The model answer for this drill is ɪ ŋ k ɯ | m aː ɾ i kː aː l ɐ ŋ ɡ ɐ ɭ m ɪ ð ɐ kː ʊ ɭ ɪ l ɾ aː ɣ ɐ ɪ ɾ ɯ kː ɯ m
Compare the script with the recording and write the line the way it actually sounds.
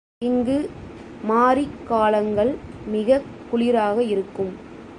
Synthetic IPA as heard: ɪ ŋ ɡ ɯ | m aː ɾ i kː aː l ɐ ŋ ɡ ɐ ɭ m ɪ ɣ ɐ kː ʊ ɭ ɪ ɾ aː ɣ ɐ ɪ ɾ ɯ kː ɯ m